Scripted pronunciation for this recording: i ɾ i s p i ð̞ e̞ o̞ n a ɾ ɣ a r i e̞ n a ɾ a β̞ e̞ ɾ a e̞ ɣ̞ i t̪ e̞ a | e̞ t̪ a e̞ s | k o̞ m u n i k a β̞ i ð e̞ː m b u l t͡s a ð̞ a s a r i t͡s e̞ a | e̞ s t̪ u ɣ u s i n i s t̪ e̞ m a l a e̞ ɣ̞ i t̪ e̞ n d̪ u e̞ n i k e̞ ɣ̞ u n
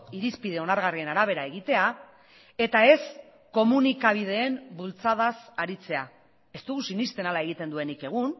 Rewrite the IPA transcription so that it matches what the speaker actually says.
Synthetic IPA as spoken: i ɾ i s p i ð̞ e̞ o̞ n a ɾ ɣ a r i e̞ n a ɾ a β̞ e̞ ɾ a e̞ ɣ̞ i t̪ e̞ a | e̞ t̪ a e̞ s | k o̞ m u n i k a β̞ i ð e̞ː m b u l t͡s a ð̞ a s a ɾ i t͡s e̞ a | e̞ s t̪ u ɣ u s i n i s t̪ e̞ n a l a e̞ ɣ̞ i t̪ e̞ n d̪ u e̞ n i k e̞ ɣ̞ u n